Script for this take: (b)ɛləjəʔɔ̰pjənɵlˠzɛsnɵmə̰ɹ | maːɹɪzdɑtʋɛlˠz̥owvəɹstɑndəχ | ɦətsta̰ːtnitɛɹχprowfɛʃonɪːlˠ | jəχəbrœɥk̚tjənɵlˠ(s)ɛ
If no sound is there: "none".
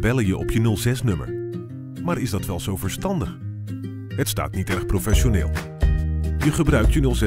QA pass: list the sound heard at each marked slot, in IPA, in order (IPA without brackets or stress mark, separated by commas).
b, z